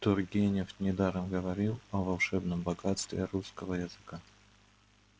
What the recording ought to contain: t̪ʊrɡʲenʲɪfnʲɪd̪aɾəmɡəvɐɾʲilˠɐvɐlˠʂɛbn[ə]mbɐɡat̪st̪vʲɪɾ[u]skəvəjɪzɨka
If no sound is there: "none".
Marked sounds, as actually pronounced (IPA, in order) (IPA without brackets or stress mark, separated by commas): ə, u